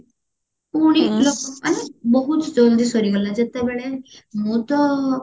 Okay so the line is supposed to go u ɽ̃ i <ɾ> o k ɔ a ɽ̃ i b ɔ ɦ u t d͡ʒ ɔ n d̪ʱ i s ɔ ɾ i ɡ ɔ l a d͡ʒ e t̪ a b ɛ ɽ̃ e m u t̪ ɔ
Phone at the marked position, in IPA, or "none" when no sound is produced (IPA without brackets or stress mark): l